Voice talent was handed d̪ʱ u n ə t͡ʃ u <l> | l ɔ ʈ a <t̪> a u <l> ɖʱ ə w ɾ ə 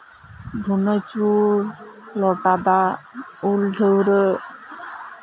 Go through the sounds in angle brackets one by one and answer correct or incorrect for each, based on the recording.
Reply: incorrect: ɾ, incorrect: d̪, correct

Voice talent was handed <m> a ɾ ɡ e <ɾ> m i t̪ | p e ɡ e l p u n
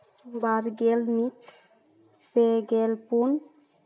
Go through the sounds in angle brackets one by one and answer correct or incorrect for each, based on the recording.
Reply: incorrect: b, incorrect: l

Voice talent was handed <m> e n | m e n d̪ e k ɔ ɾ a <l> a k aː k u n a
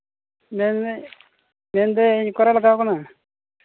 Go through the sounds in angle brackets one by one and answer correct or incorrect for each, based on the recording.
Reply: correct, correct

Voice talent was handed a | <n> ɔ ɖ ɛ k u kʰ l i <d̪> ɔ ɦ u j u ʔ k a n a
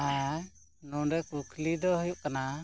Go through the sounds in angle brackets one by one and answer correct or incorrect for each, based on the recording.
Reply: correct, correct

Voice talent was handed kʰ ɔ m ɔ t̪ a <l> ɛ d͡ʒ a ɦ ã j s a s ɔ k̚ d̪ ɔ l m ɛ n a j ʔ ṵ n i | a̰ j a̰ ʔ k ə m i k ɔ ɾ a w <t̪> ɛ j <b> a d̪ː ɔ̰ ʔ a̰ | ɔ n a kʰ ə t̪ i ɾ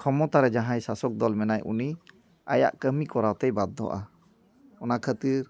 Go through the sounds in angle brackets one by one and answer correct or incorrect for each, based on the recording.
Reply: incorrect: ɾ, correct, correct

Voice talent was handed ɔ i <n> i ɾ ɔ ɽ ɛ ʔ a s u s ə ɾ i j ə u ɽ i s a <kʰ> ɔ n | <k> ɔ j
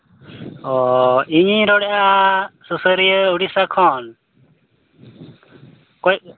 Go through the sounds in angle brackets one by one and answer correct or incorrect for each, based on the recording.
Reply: incorrect: ɲ, correct, correct

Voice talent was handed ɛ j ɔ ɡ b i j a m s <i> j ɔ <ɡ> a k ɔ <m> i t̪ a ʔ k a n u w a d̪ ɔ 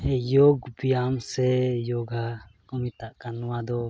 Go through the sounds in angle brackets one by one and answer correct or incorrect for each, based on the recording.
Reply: incorrect: ɛ, correct, correct

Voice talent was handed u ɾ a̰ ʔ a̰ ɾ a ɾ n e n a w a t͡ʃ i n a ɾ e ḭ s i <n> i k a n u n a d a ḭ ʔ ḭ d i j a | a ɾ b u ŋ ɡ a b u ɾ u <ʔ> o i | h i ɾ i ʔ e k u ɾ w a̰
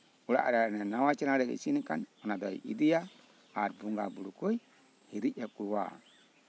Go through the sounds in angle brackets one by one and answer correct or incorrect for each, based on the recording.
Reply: correct, incorrect: k

